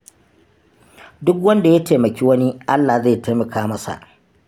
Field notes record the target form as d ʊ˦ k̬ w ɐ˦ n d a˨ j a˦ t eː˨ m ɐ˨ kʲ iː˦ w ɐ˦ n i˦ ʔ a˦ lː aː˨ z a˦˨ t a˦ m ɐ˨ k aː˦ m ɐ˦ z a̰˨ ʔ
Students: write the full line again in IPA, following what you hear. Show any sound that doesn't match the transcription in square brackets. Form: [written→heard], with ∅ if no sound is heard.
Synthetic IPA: d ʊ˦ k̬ w ɐ˦ n d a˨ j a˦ t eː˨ m ɐ˨ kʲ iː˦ w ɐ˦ n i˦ ʔ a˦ lː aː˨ z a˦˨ t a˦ m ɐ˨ k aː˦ m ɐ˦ [z→s] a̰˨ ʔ